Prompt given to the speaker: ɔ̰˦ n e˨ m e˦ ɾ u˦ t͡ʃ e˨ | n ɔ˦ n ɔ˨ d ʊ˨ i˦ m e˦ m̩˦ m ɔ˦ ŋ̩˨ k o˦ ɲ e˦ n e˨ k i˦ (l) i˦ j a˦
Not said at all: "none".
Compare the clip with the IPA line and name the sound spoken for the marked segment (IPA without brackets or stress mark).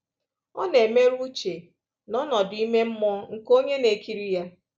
ɾ